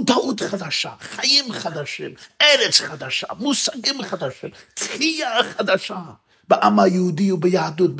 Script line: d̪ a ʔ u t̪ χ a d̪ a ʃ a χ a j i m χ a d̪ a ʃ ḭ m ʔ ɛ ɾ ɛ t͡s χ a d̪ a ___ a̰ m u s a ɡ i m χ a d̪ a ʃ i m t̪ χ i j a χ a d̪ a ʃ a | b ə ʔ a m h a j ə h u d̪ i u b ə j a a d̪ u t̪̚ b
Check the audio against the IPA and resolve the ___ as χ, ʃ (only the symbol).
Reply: ʃ